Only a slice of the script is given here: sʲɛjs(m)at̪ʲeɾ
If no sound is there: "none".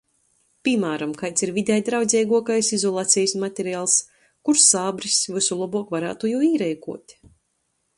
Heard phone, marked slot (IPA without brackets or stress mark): m